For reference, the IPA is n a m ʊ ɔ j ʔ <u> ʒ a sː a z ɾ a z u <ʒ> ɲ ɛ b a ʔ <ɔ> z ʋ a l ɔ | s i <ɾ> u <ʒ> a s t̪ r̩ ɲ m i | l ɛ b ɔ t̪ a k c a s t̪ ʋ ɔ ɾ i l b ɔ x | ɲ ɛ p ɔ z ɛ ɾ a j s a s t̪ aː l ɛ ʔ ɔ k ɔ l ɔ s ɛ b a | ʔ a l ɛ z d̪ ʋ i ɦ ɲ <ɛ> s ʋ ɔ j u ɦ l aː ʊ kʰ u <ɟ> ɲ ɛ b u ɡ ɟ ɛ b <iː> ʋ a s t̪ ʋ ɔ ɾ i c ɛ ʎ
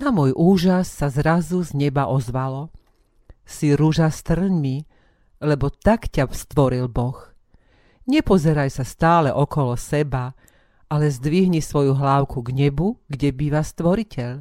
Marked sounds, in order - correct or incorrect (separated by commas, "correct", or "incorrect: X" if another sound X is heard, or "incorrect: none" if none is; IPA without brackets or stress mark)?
incorrect: uː, incorrect: z, correct, correct, correct, incorrect: i, incorrect: ɡ, correct